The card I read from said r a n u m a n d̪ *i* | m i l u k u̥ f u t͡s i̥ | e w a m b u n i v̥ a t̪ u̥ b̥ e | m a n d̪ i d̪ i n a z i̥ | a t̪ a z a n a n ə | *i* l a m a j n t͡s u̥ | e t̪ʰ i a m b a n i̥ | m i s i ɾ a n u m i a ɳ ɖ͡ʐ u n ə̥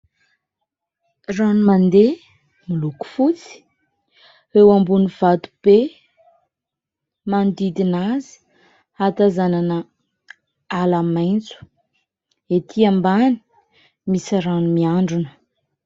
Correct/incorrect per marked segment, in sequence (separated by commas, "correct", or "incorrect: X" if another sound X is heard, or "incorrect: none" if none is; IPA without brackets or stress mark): incorrect: e, incorrect: a